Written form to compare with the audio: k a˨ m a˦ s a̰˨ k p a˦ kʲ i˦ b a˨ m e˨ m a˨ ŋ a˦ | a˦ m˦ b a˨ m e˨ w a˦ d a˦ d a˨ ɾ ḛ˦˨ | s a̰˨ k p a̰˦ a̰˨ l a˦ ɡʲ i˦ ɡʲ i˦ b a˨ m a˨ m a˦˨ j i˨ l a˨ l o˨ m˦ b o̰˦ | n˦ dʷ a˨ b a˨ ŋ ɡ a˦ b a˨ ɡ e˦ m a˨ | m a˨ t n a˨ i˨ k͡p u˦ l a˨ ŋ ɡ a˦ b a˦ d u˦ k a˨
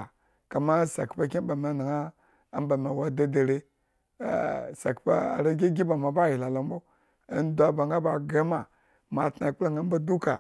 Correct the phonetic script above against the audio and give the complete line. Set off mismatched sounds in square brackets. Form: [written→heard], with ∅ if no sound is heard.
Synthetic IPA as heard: k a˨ m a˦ s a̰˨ k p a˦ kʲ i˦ b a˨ m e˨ [m→n] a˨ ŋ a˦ | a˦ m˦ b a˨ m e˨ w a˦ d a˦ d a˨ ɾ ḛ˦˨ | s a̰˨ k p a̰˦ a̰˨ [l→ɾ] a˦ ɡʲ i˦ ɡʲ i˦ b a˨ m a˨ [m→b] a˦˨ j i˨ l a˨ l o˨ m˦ b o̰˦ | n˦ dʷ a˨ b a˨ ŋ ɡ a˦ b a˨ ɡ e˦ m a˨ | m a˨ t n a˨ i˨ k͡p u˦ l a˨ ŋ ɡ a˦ b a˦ d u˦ k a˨